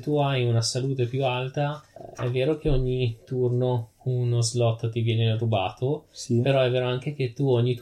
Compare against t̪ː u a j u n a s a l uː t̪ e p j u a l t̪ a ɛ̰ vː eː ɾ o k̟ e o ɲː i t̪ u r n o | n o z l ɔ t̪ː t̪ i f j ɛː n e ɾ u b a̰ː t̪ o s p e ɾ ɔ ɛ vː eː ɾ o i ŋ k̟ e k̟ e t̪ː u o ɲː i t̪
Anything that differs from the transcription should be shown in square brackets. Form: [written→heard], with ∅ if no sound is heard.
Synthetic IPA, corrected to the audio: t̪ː u a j u n a s a l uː t̪ e p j u a l t̪ a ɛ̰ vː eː ɾ o k̟ e o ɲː i t̪ u r n o | n o z l ɔ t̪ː t̪ i [f→v] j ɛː n e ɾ u b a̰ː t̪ o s p e ɾ ɔ ɛ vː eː ɾ o [i→a] ŋ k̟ e k̟ e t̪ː u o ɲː i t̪